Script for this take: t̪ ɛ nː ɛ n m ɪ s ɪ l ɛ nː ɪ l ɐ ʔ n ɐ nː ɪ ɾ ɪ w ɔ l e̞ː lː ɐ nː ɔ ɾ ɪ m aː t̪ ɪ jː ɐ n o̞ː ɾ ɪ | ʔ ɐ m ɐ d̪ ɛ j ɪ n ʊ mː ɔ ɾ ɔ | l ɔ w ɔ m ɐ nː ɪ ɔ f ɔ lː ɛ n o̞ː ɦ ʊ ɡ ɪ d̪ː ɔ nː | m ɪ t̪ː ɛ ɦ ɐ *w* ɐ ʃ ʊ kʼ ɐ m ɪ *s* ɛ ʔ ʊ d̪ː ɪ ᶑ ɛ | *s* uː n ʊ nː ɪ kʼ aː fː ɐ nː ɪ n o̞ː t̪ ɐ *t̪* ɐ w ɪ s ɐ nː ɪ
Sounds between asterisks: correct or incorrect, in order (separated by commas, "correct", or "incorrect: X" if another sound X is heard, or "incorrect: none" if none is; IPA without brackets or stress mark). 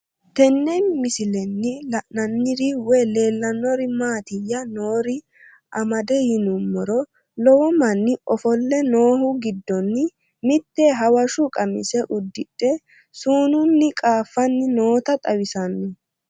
correct, correct, correct, incorrect: t̪ʼ